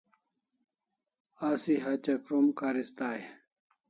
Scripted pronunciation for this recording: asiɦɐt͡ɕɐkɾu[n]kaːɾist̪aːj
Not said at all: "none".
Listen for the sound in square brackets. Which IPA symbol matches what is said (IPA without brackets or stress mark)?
m